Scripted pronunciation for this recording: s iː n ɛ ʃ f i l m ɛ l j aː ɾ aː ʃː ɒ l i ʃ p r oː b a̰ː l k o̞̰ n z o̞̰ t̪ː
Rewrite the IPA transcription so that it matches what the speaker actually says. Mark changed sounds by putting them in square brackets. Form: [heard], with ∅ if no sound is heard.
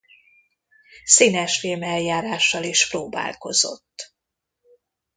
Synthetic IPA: s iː n ɛ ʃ f i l m ɛ l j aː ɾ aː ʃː ɒ l i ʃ p r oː b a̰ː l k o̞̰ [∅] z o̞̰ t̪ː